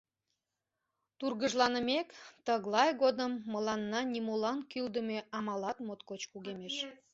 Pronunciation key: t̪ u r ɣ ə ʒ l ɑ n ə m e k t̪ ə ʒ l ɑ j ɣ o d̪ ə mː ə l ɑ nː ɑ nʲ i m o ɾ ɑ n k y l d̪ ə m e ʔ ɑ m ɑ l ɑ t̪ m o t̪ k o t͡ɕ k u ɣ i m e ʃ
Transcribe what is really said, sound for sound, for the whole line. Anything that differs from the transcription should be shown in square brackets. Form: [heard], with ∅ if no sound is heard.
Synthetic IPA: t̪ u r ɣ ə ʒ l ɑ n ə m e k t̪ ə [ɣ] l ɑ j ɣ o d̪ ə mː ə l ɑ nː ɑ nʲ i m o [l] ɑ n k y l d̪ ə m e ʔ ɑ m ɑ l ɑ t̪ m o t̪ k o t͡ɕ k u ɣ [e] m e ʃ